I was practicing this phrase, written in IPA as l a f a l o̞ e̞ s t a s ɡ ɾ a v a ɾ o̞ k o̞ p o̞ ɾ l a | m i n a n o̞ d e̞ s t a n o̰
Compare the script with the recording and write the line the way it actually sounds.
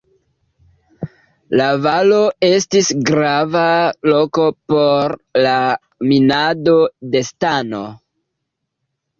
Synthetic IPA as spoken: l a v a l o̞ e̞ s t i s ɡ ɾ a v a l o̞ k o̞ p o̞ ɾ l a | m i n a d o̞ d e̞ s t a n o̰